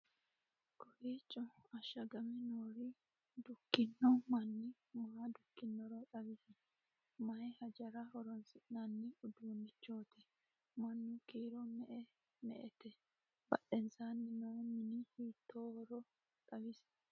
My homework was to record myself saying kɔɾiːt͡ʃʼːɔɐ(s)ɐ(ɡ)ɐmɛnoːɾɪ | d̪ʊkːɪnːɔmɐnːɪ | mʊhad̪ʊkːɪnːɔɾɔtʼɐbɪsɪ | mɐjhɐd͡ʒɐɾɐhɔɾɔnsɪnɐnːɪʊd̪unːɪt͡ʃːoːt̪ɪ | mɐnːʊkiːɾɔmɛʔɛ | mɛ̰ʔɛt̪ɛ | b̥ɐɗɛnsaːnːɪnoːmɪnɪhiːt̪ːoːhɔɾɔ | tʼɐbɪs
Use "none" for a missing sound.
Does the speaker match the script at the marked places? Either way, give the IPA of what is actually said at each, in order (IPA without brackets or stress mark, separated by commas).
ʃ, ɡ